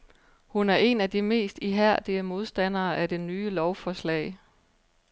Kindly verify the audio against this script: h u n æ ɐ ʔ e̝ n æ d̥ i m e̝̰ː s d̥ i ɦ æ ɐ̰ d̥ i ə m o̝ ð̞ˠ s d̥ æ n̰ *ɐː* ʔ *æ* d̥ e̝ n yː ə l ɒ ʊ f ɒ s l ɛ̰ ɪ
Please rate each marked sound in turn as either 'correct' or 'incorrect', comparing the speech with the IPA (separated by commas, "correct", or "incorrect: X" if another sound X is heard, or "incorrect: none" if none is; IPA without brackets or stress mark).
correct, correct